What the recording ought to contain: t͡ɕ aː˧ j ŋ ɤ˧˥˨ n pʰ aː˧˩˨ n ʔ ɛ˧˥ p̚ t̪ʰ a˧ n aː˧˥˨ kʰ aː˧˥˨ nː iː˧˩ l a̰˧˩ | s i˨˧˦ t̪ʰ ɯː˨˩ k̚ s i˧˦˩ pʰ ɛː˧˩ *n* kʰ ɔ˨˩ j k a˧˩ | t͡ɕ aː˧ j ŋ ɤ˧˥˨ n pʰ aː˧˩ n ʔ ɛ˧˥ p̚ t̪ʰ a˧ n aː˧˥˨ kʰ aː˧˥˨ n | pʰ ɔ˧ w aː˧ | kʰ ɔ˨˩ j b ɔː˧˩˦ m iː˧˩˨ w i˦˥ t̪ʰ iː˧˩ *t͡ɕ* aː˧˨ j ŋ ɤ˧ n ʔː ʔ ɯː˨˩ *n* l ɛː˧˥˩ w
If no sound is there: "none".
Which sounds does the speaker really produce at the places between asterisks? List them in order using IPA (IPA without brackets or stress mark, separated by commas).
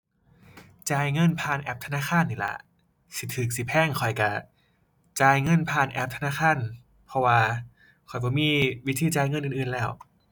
ŋ, t͡ɕ, n